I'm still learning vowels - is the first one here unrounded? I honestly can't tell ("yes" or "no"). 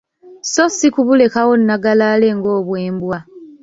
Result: no